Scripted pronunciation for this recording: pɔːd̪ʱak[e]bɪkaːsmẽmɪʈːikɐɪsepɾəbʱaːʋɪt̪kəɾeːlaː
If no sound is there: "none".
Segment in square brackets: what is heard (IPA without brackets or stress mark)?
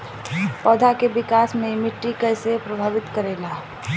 e